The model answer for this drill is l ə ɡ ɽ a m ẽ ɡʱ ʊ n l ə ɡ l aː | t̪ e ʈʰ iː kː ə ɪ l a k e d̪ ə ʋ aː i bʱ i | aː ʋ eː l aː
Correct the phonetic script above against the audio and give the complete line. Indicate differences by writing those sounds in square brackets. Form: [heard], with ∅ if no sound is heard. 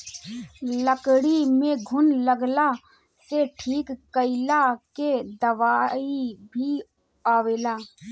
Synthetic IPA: l ə [k] ɽ [i] m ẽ ɡʱ ʊ n l ə ɡ l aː | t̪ e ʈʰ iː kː ə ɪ l a k e d̪ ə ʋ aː i bʱ i | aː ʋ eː l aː